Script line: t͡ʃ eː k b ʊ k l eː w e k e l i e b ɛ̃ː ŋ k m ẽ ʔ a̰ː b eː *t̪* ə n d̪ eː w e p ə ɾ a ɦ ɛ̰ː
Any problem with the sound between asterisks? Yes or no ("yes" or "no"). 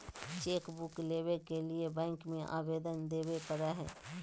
yes